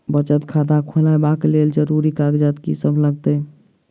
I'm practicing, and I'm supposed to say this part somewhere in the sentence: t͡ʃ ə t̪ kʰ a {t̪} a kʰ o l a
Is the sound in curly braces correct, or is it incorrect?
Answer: incorrect